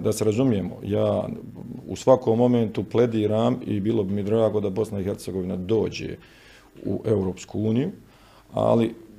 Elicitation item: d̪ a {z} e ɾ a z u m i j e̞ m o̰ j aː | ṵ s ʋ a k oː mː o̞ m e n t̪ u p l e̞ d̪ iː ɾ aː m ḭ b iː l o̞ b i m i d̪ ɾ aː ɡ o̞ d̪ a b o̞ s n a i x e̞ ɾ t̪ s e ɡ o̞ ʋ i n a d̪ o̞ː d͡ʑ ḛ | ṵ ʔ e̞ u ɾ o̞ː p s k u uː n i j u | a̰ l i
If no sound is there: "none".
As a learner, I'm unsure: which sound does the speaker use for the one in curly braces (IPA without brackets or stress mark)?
s